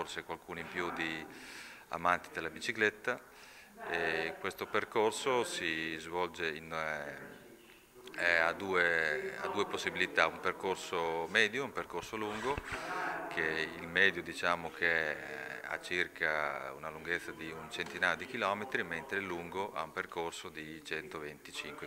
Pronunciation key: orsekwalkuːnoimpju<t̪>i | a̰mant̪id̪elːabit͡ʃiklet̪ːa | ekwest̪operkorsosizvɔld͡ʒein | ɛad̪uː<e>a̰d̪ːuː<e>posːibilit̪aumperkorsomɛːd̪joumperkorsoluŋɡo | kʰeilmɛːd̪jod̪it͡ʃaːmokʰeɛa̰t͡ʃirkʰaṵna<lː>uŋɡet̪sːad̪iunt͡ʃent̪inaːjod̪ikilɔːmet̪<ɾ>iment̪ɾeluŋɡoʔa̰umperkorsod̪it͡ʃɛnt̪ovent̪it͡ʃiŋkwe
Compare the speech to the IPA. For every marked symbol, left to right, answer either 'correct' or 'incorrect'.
incorrect: d̪, correct, correct, incorrect: l, correct

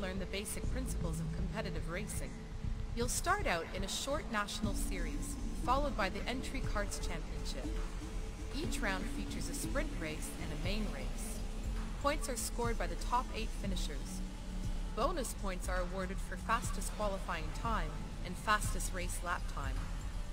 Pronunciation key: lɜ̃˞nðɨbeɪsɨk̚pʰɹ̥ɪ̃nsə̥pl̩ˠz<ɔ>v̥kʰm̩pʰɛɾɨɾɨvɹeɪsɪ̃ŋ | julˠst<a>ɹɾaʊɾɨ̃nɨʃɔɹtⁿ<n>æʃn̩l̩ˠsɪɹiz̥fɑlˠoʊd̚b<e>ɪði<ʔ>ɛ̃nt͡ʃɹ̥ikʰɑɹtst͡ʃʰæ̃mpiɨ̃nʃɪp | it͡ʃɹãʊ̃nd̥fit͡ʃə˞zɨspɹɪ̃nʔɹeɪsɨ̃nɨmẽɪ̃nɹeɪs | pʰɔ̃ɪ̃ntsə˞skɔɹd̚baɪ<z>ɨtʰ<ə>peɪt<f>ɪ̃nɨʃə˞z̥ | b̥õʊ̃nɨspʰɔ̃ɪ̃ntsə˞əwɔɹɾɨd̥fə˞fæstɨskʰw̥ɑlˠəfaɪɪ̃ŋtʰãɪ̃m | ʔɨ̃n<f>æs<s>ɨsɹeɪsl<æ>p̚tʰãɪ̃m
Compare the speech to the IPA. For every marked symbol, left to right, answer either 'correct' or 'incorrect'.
incorrect: ʌ, incorrect: ɑ, correct, incorrect: a, correct, incorrect: ð, incorrect: ɑ, correct, correct, incorrect: t, correct

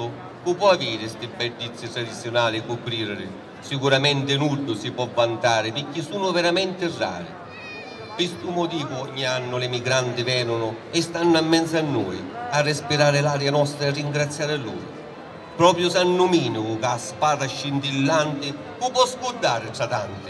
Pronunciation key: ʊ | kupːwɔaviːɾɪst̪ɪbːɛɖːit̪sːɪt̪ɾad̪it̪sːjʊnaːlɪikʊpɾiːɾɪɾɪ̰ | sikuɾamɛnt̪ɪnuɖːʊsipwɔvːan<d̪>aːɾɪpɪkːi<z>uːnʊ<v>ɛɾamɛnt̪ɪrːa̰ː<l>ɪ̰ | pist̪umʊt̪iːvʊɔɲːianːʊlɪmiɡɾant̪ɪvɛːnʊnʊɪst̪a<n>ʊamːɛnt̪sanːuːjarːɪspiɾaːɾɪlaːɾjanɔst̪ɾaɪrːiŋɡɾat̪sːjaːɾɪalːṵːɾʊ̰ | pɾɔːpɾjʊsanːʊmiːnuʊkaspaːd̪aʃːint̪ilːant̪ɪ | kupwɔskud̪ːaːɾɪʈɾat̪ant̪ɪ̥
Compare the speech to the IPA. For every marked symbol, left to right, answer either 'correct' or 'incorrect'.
incorrect: t̪, incorrect: s, correct, incorrect: ɾ, incorrect: nː

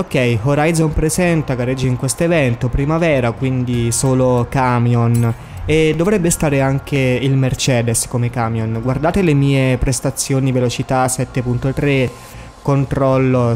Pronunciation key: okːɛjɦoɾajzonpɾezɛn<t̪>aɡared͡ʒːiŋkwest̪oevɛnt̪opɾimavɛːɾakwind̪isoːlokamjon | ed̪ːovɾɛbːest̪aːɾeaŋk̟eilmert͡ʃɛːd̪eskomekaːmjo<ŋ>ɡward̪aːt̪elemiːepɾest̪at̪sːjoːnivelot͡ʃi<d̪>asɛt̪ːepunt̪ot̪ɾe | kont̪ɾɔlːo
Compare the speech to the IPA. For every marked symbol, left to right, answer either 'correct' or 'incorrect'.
correct, incorrect: n, incorrect: t̪

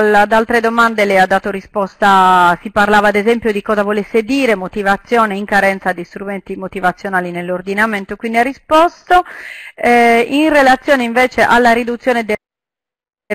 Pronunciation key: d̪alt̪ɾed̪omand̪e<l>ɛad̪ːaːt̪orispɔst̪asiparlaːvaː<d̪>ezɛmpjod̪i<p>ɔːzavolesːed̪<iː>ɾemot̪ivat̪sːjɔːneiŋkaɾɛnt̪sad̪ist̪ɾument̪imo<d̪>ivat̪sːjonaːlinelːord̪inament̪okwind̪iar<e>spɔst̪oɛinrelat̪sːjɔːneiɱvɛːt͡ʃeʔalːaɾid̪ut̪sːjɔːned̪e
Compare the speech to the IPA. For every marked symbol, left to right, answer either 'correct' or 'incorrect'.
correct, correct, incorrect: k, correct, incorrect: t̪, incorrect: i

